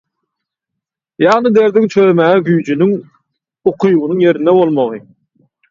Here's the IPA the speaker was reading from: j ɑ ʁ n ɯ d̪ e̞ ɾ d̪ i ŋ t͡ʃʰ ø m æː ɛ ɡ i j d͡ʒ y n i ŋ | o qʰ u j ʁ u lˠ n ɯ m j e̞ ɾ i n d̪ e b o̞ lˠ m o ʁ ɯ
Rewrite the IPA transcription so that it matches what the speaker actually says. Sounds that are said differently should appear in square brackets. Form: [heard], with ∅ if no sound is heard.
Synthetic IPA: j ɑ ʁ n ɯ d̪ e̞ ɾ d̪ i ŋ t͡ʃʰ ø m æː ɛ ɡ [y] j d͡ʒ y n [y] ŋ | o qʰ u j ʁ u [∅] n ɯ [ŋ] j e̞ ɾ i n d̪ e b o̞ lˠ m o ʁ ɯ